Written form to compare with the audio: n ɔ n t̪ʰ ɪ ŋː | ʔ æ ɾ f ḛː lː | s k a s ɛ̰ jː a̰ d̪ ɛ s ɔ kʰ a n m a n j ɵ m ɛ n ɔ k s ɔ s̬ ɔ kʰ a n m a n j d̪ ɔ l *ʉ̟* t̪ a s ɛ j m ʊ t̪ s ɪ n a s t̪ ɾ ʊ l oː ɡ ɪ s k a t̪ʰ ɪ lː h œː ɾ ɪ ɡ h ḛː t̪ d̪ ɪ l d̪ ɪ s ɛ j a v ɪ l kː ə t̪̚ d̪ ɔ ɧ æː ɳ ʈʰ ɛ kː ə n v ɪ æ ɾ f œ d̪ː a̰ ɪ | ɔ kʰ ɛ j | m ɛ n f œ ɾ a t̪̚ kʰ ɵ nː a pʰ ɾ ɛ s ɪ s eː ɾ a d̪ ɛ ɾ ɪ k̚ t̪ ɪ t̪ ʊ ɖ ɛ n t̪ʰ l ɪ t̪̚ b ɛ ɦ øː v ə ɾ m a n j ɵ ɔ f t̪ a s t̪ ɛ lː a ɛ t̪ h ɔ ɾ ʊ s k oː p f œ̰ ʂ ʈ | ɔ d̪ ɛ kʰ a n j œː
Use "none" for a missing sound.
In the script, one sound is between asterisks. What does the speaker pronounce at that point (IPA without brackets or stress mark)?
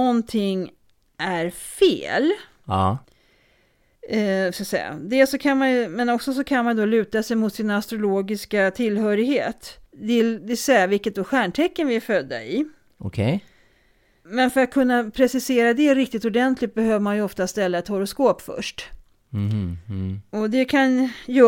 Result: ʉ̟ː